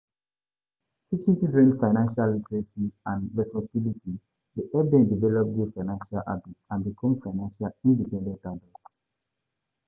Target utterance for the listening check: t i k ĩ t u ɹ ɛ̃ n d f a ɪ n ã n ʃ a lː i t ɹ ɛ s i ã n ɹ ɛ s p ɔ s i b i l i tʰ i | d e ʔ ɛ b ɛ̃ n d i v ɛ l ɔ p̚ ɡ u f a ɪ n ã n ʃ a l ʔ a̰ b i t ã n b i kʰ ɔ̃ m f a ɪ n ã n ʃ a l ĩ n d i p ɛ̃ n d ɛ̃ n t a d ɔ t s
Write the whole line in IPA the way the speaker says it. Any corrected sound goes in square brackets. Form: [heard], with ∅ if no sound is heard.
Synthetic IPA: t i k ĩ t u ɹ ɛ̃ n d f a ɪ n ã n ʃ a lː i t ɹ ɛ s i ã n ɹ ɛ s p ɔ s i b i l i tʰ i | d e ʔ ɛ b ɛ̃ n d i v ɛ l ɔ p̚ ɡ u f a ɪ n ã n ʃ a l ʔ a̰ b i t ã n b i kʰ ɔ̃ m f a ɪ n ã n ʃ a l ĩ n d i p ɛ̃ n d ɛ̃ n t a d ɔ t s